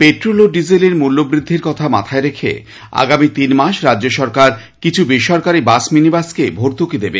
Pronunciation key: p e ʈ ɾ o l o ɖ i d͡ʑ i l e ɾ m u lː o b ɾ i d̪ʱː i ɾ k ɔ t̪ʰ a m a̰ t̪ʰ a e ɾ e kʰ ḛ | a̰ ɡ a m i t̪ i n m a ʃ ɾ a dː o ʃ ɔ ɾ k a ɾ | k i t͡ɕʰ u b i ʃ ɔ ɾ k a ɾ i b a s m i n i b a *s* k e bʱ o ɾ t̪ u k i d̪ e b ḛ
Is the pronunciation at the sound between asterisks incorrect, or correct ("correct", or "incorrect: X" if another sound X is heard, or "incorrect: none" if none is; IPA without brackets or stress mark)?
correct